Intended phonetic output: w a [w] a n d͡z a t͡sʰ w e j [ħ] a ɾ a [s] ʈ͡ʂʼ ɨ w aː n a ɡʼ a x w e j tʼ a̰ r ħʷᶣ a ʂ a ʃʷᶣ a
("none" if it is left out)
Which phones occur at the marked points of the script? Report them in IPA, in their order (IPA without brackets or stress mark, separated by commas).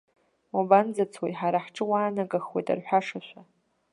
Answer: b, ħ, ħ